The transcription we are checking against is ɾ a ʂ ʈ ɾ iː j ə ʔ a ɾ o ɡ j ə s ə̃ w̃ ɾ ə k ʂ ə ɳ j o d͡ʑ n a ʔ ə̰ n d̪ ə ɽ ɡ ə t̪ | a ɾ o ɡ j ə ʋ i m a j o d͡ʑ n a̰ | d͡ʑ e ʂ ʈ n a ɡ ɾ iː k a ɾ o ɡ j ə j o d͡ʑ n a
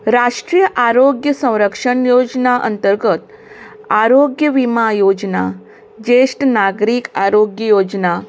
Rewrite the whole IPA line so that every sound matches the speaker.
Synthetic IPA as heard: ɾ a ʂ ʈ ɾ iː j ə ʔ a ɾ o ɡ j ə s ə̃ w̃ ɾ ə k ʂ ə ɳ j o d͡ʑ n a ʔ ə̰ n t̪ ə ɾ ɡ ə t̪ | a ɾ o ɡ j ə ʋ i m a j o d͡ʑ n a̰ | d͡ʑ e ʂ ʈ n a ɡ ɾ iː k a ɾ o ɡ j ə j o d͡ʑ n a